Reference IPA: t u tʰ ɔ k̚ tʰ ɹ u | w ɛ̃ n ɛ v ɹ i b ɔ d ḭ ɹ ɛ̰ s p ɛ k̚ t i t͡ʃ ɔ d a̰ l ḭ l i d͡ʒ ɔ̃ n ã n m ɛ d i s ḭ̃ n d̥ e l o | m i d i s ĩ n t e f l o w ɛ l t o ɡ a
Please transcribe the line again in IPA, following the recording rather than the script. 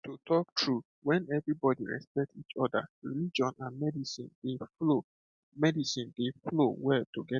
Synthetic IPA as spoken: t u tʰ ɔ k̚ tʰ ɹ u | w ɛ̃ n ɛ v ɹ i b ɔ d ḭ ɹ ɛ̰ s p ɛ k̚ t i t͡ʃ ɔ d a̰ ɹ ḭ l i d͡ʒ ɔ̃ n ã n m ɛ d i s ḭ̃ n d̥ e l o | m ɛ d i s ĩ n d e f l o w ɛ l t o ɡ ɛ